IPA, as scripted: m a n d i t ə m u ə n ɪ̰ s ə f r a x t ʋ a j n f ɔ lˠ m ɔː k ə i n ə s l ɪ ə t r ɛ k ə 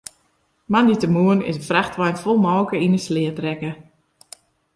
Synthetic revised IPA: m a n d i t ə m u ə n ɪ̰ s ə f r a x t ʋ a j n f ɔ lˠ m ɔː k ə i n ə s l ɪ ə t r ɛ k ə